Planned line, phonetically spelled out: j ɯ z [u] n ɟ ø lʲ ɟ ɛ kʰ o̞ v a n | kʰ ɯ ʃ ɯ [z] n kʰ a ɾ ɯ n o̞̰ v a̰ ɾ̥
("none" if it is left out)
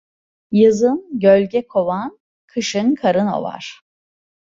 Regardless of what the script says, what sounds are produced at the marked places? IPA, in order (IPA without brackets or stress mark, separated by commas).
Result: ɯ, none